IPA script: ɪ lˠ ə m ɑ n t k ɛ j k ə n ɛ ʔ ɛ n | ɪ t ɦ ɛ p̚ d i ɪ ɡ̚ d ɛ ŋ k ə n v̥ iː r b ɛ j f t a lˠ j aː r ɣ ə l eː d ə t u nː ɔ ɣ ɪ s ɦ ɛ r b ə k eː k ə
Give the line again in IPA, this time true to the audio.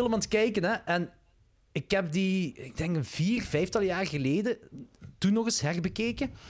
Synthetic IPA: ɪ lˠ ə m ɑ n t k ɛ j k ə n ɛ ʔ ɛ n | ɪ k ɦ ɛ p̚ d i ɪ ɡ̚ d ɛ ŋ k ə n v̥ iː r v ɛ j f t ɑ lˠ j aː r ɣ ə l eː d ə t u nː ɔ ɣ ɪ s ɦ ɛ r b ə k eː k ə